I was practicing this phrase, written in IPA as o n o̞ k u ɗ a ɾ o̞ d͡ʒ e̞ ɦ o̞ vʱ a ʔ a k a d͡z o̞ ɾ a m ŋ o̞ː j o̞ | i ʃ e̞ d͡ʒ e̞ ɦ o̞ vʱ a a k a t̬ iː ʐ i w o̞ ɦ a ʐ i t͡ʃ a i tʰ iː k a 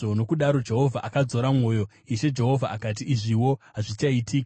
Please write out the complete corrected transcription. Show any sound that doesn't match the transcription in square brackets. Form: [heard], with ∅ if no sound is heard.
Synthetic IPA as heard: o n o̞ k u ɗ a ɾ o̞ d͡ʒ e̞ ɦ o̞ vʱ a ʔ a k a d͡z o̞ ɾ a m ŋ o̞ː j o̞ | i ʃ e̞ d͡ʒ e̞ ɦ o̞ vʱ a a k a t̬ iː ʐ i w o̞ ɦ a ʐ i t͡ʃ a i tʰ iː k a